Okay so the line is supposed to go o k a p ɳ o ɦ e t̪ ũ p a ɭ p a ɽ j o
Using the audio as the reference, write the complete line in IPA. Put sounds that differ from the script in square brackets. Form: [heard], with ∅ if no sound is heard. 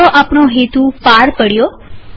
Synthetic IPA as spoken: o [ʔ] a p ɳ o ɦ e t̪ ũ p a [ɾ] p [ə] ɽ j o